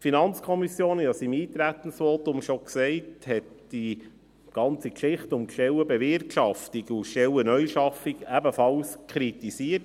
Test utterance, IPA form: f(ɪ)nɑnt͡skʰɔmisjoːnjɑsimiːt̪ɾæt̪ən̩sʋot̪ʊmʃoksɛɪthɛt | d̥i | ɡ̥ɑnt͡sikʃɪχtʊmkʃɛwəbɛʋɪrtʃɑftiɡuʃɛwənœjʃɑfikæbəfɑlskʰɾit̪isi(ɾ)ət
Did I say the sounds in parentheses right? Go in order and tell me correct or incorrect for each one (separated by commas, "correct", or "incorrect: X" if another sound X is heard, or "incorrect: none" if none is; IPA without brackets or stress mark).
incorrect: i, incorrect: none